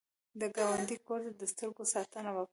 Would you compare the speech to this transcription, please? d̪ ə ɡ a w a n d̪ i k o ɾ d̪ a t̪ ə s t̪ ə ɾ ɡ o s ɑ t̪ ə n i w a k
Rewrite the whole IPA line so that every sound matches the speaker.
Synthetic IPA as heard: d̪ ə ɡ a w a n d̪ i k o ɾ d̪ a d̪ ə s t̪ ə ɾ ɡ o s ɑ t̪ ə n a w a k